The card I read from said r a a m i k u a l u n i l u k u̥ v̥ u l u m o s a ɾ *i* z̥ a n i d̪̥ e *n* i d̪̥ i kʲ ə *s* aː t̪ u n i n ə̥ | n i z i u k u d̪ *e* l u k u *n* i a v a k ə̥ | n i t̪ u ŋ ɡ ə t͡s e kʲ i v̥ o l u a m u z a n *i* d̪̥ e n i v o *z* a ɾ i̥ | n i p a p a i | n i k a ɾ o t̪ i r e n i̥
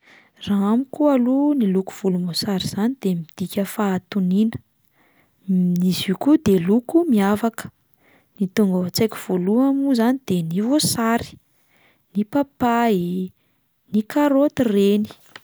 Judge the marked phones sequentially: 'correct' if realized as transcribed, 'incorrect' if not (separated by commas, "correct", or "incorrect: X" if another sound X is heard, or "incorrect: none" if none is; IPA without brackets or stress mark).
correct, incorrect: m, incorrect: f, correct, incorrect: m, correct, incorrect: s